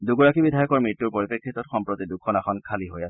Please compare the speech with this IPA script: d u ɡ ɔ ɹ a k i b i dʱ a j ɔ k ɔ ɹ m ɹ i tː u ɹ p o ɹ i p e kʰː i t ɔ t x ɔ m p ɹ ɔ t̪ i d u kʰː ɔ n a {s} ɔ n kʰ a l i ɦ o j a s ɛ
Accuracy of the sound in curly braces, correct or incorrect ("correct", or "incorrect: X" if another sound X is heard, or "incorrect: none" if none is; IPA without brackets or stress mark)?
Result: incorrect: x